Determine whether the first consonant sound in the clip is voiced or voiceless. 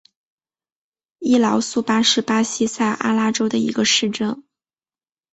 voiced